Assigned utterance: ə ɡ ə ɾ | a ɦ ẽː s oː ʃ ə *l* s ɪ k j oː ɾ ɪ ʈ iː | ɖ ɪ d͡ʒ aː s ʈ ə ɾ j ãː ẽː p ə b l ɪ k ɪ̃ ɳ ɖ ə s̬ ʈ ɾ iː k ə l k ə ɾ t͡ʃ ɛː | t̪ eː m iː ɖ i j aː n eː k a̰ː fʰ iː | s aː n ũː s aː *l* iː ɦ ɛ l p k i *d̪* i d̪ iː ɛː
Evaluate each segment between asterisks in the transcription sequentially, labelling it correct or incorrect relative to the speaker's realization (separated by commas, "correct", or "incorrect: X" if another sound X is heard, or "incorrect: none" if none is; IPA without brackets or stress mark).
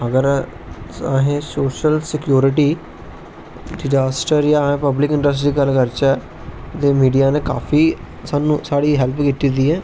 correct, incorrect: ɽ, incorrect: t̪